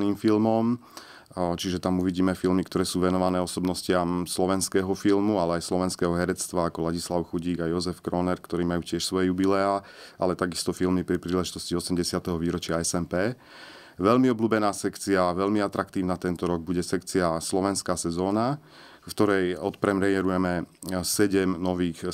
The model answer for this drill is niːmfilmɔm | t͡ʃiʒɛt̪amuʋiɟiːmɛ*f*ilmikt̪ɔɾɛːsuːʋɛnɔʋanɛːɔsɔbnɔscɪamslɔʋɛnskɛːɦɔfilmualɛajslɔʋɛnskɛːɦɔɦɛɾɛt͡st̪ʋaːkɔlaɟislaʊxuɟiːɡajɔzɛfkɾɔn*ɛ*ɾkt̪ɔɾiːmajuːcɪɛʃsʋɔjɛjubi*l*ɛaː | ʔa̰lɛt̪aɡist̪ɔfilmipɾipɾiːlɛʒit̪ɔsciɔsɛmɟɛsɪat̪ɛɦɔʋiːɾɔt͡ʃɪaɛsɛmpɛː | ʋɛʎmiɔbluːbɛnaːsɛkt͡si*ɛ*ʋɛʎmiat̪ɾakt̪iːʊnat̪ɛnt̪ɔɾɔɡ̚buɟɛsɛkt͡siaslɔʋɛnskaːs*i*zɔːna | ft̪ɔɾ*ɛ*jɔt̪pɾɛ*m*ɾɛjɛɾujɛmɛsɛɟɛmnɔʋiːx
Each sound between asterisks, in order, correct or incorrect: correct, correct, correct, incorrect, incorrect, correct, correct

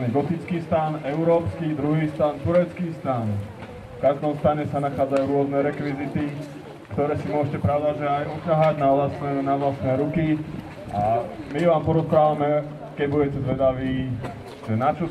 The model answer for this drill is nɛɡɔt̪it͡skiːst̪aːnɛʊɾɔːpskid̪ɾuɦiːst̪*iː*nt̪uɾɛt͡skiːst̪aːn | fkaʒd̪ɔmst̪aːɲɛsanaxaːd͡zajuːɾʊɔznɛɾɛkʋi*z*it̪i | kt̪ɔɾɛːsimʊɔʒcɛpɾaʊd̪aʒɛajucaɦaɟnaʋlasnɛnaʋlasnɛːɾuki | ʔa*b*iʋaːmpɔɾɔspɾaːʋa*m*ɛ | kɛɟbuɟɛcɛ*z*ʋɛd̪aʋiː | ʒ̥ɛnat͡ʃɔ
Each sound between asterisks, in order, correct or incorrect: incorrect, correct, incorrect, correct, correct

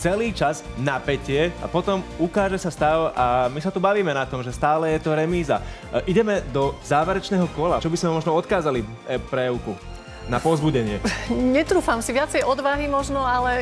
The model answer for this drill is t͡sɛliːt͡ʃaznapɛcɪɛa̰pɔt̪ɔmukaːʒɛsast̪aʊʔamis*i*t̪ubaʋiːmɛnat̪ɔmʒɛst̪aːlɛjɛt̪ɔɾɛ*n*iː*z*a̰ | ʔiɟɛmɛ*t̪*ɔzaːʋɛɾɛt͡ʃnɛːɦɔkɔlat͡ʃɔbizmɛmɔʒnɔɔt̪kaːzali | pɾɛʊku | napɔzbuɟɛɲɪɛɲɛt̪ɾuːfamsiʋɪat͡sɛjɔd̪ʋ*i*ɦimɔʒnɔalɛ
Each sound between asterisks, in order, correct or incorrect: incorrect, incorrect, correct, incorrect, incorrect

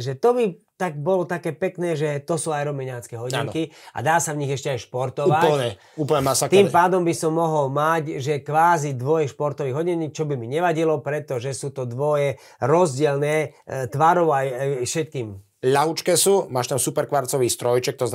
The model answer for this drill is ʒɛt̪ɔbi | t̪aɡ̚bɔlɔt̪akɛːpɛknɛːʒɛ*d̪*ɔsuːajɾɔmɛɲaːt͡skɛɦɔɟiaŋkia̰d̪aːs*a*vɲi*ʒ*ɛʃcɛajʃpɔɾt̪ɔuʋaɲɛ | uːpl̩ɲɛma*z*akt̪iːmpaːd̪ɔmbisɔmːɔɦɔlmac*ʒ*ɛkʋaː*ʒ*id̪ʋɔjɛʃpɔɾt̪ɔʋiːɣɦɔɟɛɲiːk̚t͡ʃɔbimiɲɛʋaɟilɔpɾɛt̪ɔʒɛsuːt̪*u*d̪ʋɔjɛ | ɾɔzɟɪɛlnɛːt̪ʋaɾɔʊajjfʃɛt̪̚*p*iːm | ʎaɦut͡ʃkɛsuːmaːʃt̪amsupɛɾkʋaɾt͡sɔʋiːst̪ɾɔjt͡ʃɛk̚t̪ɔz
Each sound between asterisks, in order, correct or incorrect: incorrect, correct, incorrect, incorrect, correct, incorrect, incorrect, incorrect

